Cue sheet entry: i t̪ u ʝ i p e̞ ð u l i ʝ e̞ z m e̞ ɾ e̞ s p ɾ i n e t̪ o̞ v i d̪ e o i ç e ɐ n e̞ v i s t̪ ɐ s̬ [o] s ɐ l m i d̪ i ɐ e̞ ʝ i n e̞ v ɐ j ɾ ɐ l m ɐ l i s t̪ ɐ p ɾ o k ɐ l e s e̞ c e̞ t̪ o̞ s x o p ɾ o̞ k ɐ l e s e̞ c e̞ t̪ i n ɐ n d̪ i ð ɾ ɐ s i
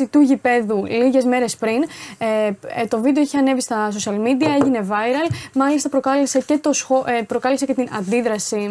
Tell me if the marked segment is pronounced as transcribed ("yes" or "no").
yes